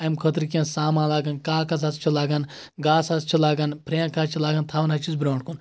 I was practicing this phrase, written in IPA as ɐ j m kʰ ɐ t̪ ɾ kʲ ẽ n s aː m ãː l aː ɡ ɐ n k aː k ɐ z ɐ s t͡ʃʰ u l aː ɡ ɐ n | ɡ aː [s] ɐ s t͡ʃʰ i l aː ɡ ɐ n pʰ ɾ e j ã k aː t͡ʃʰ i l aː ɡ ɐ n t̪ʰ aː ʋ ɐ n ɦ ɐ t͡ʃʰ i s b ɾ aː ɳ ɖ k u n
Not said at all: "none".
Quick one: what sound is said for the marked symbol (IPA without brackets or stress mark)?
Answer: s